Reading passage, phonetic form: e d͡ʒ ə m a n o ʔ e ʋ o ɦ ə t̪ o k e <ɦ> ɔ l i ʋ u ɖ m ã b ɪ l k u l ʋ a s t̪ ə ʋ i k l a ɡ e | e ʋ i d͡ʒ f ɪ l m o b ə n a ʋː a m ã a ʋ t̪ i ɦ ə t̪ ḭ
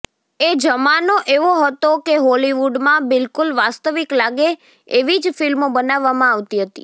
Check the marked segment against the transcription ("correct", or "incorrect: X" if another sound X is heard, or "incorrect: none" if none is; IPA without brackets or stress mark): correct